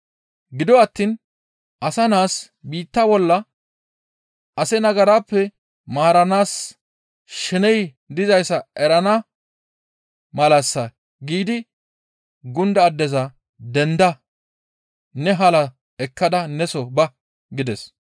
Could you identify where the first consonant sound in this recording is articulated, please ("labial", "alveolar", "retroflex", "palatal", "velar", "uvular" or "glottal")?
velar